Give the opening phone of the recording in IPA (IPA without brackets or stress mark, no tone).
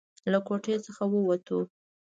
l